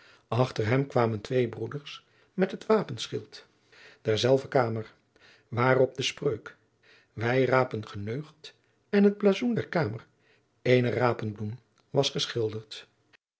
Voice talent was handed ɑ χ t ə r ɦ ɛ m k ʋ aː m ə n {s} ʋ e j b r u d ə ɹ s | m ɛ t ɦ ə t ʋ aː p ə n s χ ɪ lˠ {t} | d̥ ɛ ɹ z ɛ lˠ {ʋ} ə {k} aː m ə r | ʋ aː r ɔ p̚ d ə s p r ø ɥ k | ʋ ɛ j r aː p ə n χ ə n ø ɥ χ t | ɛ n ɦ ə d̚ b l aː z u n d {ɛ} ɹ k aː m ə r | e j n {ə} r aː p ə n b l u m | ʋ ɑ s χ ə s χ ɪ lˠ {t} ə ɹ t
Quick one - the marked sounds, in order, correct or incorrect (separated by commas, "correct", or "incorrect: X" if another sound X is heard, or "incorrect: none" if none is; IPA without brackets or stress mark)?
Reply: incorrect: t, correct, incorrect: v, correct, correct, correct, incorrect: d